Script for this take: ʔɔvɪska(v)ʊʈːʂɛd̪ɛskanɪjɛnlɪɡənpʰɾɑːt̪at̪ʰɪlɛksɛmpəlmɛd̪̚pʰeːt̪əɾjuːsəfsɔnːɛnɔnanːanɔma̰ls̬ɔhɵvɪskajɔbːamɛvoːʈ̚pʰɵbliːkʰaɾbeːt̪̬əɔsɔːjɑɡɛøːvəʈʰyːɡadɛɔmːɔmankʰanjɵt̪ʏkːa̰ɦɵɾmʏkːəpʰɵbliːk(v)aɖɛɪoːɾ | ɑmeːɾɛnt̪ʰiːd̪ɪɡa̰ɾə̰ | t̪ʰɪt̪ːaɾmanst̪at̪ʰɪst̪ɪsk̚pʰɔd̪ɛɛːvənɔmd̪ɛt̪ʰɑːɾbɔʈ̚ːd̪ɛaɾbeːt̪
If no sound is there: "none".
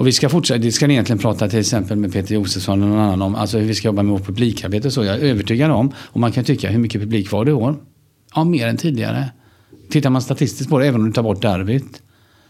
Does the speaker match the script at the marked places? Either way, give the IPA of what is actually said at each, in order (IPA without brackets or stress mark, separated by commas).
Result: f, v